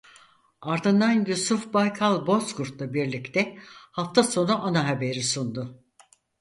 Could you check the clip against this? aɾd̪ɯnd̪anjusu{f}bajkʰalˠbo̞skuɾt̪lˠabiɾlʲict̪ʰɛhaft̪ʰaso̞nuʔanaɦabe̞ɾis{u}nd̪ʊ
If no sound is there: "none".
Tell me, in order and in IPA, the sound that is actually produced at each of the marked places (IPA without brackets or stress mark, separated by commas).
f, u